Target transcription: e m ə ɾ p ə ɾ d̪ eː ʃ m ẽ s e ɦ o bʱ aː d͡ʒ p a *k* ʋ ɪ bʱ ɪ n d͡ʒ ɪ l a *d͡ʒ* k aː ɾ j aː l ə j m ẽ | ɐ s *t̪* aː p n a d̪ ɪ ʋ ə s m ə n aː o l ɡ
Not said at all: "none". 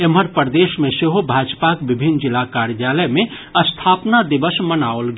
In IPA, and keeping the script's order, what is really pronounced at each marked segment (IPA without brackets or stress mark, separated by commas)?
k, none, t̪ʰ